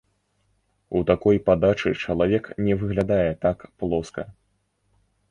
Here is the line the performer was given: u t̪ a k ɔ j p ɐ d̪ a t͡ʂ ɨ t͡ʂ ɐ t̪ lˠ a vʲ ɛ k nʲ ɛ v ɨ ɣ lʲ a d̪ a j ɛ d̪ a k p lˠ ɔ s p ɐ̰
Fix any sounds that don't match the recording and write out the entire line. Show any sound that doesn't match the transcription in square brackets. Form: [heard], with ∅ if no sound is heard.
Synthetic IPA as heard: u t̪ a k ɔ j p [a] d̪ a t͡ʂ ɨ t͡ʂ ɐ [∅] lˠ a vʲ ɛ k nʲ ɛ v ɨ ɣ lʲ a d̪ a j ɛ [t̪] a k p lˠ ɔ s [k] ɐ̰